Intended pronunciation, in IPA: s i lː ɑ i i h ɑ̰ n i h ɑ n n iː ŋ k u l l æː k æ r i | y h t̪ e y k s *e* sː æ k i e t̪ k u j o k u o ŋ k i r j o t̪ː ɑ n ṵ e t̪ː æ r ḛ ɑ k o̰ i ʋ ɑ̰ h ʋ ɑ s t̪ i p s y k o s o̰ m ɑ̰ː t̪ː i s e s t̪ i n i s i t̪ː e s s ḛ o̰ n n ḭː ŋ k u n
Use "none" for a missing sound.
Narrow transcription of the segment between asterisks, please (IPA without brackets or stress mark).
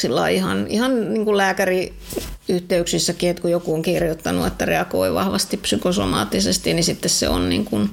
i